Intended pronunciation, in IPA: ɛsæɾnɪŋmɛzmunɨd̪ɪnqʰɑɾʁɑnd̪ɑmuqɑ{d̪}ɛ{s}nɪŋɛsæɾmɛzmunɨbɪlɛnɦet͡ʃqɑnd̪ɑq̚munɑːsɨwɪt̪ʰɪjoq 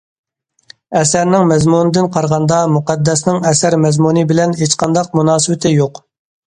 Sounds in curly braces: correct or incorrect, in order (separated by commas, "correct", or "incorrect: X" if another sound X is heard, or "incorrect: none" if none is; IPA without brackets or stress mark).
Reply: incorrect: d̪ː, correct